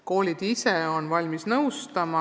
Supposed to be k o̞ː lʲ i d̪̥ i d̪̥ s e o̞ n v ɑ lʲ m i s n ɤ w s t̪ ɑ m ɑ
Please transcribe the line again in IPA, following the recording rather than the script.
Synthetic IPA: k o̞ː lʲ i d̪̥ i s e o̞ n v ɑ lʲ m i s n ɤ w s t̪ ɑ m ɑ